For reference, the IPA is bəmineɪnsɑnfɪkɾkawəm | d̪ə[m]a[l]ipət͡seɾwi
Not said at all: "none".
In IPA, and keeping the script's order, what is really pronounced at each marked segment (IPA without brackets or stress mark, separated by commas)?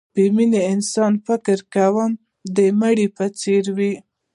m, ɽ